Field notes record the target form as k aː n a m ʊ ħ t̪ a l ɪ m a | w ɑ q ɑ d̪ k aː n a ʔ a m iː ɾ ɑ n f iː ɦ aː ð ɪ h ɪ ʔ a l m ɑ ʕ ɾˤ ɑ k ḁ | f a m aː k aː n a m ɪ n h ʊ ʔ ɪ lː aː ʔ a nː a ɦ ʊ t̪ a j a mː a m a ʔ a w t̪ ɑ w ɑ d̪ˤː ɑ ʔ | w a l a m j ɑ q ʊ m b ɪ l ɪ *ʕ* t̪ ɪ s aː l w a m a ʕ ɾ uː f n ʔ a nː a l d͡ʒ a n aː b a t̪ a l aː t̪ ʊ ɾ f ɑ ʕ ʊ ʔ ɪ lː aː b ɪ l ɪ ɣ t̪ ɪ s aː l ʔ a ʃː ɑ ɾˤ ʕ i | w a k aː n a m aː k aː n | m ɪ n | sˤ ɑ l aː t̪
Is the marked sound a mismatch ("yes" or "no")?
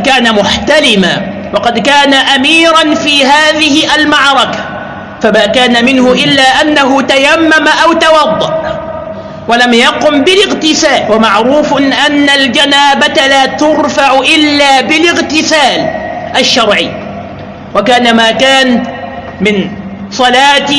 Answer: yes